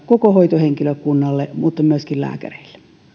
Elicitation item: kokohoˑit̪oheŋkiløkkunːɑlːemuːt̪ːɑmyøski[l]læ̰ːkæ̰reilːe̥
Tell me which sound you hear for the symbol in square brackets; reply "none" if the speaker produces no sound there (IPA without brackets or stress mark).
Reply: l